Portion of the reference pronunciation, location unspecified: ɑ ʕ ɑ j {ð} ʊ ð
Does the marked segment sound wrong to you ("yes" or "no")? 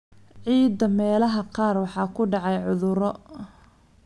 yes